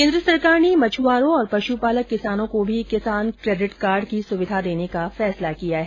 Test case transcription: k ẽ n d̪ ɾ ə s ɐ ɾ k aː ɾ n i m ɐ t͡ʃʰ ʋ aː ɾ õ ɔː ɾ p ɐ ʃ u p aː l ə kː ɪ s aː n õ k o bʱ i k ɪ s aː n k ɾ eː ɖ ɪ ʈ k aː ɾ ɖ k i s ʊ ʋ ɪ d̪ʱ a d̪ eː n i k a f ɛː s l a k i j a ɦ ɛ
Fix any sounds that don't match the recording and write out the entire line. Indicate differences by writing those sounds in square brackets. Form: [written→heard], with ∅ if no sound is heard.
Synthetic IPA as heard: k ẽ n d̪ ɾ ə s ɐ ɾ k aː ɾ n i m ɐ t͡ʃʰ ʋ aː ɾ õ ɔː ɾ p ɐ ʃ u p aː l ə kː ɪ s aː n õ k o bʱ i k ɪ s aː n k ɾ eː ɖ ɪ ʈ k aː ɾ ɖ k i s ʊ ʋ ɪ d̪ʱ a d̪ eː n [i→e] k a f ɛː s l a k i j a ɦ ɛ

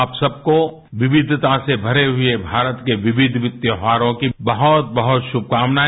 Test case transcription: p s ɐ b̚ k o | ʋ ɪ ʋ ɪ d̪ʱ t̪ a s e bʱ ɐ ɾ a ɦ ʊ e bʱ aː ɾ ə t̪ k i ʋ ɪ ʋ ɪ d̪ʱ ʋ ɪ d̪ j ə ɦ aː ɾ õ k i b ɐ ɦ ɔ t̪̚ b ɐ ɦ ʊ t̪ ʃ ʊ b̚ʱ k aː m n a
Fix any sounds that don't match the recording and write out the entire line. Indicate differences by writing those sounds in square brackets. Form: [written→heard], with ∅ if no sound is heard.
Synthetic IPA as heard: p s ɐ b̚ k o | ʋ ɪ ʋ ɪ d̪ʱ t̪ a s e bʱ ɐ ɾ [a→e] ɦ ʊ e bʱ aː ɾ ə t̪ k [i→e] ʋ ɪ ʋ ɪ d̪ʱ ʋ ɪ [d̪→t̪] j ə ɦ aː ɾ õ k i b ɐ ɦ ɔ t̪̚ b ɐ ɦ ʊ t̪ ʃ ʊ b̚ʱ k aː m n a

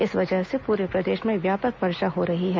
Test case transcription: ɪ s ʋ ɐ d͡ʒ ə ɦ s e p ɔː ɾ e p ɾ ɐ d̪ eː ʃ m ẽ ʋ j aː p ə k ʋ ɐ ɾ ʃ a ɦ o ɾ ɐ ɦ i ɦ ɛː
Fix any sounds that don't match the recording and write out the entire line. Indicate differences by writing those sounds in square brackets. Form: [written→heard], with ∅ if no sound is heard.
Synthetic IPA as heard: ɪ s ʋ ɐ d͡ʒ ə ɦ s e p [ɔː→uː] ɾ e p ɾ ɐ d̪ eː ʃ m ẽ ʋ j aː p ə k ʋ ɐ ɾ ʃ a ɦ o ɾ ɐ ɦ i ɦ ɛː

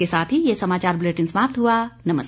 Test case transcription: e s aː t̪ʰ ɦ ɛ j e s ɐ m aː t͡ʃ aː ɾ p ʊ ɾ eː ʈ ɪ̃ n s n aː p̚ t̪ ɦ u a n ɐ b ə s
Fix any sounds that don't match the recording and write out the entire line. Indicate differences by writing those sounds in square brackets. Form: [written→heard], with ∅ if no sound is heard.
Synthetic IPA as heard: e s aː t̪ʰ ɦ [ɛ→i] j e s ɐ m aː t͡ʃ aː ɾ [p→b] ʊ [ɾ→l] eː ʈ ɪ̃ n s [n→m] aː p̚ t̪ ɦ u a n ɐ [b→m] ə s

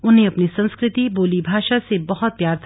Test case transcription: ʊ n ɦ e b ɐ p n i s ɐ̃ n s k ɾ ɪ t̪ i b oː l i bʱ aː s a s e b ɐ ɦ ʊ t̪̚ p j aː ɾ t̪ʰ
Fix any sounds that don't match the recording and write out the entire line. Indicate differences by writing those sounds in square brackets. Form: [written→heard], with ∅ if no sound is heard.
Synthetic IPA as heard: ʊ n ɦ e [b→∅] ɐ p n i s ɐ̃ n s k ɾ ɪ t̪ i b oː l i bʱ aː [s→ʃ] a s e b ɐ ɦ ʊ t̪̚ p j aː ɾ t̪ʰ

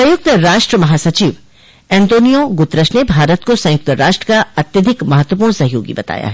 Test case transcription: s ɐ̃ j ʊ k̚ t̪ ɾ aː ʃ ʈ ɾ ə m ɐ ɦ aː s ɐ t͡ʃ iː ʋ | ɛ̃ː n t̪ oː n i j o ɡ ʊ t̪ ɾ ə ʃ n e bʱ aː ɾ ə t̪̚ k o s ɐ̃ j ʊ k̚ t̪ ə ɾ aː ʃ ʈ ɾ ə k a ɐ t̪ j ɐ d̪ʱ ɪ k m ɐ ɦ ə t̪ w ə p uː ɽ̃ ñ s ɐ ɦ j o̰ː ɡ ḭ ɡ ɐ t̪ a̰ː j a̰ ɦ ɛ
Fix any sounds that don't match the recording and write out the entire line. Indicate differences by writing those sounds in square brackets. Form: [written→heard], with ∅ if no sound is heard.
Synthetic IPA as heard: s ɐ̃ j ʊ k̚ t̪ ɾ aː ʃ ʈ ɾ ə m ɐ ɦ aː s ɐ t͡ʃ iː ʋ | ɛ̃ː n t̪ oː n i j o ɡ ʊ t̪ ɾ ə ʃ n e bʱ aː ɾ ə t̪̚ k o s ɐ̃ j ʊ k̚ t̪ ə ɾ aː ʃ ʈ ɾ ə k a ɐ t̪ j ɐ d̪ʱ ɪ k m ɐ ɦ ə t̪ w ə p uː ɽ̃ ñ s ɐ ɦ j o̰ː ɡ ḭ [ɡ→b] ɐ t̪ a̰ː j a̰ ɦ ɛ

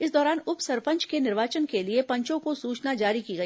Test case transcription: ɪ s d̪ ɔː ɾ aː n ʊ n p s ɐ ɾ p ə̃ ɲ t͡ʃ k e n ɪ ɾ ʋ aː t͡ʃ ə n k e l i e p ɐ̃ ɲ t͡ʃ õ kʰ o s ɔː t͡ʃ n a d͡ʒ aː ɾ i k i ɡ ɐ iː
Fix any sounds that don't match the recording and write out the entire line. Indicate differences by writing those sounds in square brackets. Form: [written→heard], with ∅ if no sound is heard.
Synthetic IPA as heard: ɪ s d̪ ɔː ɾ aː n ʊ [n→∅] p s ɐ ɾ p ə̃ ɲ t͡ʃ k e n ɪ ɾ ʋ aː t͡ʃ ə n k e l i e p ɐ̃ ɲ t͡ʃ õ [kʰ→k] o s [ɔː→uː] t͡ʃ n a d͡ʒ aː ɾ i k i ɡ ɐ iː

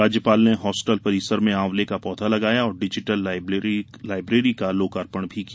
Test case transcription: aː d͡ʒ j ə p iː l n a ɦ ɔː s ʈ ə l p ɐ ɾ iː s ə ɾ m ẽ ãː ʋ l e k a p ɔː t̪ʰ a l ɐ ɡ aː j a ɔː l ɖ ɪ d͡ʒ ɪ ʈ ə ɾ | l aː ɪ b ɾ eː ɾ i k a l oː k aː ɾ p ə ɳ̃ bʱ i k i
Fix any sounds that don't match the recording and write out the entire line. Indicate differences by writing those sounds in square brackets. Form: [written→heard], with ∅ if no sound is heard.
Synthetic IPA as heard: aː d͡ʒ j ə p [iː→aː] l n [a→e] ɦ ɔː s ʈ ə l p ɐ ɾ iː s ə ɾ m ẽ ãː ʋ l e k a p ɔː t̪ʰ a l ɐ ɡ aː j a ɔː [l→ɾ] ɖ ɪ d͡ʒ ɪ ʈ ə [ɾ→l] | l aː ɪ b ɾ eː ɾ i k a l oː k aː ɾ p ə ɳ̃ bʱ i k i

